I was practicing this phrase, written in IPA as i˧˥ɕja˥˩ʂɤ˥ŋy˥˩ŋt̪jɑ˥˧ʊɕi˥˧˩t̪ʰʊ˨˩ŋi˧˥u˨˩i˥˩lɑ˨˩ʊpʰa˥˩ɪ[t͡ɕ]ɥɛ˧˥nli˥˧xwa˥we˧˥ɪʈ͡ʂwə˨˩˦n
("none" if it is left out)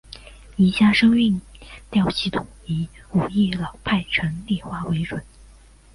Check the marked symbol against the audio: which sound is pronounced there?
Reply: t͡ɕʰ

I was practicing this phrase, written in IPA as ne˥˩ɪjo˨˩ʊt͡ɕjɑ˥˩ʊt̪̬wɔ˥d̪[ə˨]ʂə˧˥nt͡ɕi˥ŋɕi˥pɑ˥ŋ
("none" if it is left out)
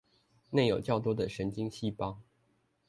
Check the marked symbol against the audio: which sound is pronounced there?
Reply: ə˨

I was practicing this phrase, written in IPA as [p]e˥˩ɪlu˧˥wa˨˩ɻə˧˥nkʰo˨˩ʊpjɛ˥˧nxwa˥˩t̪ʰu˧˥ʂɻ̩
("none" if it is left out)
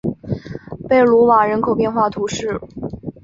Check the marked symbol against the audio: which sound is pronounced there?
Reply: p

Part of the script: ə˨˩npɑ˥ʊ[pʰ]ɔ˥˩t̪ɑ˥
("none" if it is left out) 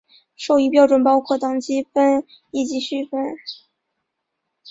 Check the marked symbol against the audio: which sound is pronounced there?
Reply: kʰ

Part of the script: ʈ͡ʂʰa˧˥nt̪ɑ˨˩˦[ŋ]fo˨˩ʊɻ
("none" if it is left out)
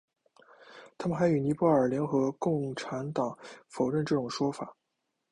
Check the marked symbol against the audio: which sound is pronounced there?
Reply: ŋ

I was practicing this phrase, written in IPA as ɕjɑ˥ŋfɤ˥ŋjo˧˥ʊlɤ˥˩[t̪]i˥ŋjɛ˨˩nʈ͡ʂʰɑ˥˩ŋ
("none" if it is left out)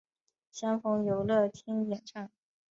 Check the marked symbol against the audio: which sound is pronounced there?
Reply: t̪ʰ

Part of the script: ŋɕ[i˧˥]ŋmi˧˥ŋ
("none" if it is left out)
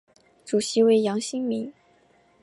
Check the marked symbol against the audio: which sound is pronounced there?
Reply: i˥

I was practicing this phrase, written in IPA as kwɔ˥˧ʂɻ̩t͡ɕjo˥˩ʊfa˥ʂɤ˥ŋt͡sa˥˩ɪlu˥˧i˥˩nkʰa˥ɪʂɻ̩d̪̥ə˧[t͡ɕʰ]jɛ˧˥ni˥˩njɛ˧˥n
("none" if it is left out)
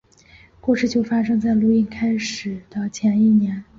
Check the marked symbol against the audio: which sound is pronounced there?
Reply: t͡ɕʰ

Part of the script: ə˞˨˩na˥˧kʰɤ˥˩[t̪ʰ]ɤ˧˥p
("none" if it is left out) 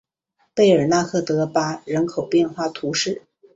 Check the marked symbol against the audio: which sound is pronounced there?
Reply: t̪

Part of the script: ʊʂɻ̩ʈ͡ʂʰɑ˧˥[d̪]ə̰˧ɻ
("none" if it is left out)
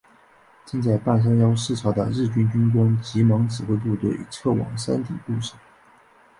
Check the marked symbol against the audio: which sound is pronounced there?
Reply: d̪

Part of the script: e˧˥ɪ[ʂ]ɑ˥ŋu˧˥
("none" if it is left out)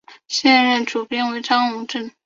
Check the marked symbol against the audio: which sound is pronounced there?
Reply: ʈ͡ʂ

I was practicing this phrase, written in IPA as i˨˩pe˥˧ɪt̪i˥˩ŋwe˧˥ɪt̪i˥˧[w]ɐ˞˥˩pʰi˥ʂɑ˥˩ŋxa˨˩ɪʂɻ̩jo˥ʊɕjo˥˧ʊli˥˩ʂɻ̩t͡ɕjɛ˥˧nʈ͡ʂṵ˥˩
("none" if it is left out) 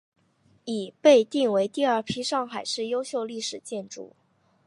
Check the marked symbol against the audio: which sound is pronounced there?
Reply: none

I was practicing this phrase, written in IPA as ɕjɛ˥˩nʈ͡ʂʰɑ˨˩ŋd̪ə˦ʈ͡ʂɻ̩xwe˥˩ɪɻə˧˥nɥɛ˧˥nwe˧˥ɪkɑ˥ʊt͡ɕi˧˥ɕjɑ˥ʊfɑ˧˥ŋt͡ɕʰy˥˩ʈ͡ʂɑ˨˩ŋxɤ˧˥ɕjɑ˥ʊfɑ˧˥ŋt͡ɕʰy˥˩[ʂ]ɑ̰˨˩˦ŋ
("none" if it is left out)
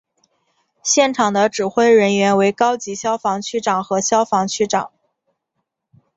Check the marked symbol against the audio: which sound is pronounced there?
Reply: ʈ͡ʂ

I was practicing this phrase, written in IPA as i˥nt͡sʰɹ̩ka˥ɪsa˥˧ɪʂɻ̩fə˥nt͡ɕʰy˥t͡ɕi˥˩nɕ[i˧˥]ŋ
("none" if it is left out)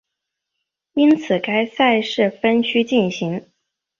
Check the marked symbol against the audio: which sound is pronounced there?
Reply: i˧˥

